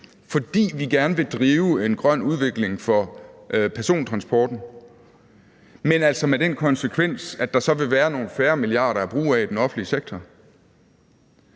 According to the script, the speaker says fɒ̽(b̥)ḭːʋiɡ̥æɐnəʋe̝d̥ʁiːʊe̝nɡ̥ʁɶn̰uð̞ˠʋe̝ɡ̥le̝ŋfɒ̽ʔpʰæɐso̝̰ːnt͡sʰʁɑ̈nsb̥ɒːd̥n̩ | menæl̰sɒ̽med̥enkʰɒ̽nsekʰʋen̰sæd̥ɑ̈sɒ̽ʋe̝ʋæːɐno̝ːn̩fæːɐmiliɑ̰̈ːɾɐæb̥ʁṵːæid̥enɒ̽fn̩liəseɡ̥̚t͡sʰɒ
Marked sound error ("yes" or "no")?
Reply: yes